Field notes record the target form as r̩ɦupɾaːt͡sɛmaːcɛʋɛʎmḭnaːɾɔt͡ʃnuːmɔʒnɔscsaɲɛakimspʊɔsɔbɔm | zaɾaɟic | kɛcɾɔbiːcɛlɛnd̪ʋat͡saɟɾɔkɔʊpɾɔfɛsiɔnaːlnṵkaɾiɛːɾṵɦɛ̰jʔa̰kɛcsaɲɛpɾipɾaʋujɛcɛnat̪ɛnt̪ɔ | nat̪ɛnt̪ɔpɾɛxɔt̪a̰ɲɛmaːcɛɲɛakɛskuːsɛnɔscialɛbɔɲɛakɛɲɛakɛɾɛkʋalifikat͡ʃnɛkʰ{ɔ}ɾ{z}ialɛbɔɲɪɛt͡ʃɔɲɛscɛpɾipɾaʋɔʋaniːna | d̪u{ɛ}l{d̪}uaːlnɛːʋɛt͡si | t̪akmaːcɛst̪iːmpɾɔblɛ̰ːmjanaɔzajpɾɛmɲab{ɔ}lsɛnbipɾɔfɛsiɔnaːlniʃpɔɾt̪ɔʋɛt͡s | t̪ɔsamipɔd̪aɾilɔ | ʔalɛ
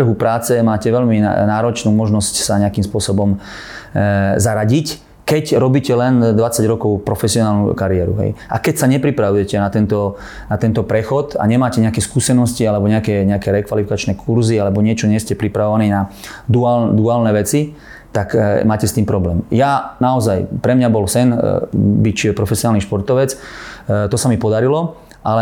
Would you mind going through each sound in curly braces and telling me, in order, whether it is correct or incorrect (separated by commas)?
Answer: incorrect, correct, incorrect, correct, correct